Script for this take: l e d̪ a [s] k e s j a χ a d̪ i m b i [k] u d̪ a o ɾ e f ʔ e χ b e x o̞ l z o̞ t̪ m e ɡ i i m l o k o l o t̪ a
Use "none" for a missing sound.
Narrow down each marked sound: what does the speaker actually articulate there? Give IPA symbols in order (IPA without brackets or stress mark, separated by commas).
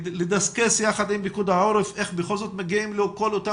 s, k